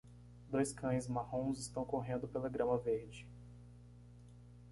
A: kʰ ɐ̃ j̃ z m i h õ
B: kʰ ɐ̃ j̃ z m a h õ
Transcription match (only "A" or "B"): B